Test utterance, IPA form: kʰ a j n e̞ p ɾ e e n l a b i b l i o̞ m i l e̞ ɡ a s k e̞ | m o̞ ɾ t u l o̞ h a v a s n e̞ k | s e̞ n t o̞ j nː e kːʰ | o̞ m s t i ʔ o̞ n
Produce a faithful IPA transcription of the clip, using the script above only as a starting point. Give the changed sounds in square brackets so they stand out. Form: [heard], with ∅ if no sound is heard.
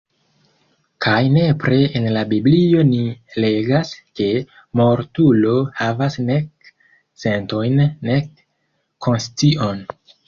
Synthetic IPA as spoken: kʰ a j n e̞ p ɾ e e n l a b i b l i o̞ [n] i l e̞ ɡ a s k e̞ | m o̞ ɾ t u l o̞ h a v a s n e̞ k | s e̞ n t o̞ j nː e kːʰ | o̞ [n] s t i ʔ o̞ n